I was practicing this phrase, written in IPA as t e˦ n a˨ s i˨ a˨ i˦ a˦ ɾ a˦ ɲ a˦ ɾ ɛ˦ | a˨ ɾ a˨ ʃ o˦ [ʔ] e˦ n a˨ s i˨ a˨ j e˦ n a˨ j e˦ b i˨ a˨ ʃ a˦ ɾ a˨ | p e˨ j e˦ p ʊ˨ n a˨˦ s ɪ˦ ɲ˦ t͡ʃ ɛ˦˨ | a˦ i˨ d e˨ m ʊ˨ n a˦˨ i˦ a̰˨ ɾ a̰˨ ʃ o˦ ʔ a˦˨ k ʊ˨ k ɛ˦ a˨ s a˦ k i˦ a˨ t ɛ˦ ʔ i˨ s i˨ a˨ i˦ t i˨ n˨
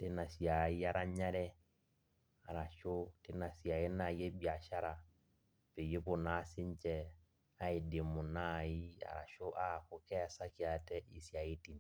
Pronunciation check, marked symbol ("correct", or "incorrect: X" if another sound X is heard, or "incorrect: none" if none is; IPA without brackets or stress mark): incorrect: t